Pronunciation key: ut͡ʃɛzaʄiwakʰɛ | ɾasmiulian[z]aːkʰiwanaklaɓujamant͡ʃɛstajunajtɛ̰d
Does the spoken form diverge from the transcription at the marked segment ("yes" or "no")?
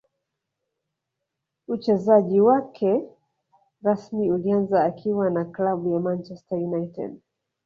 no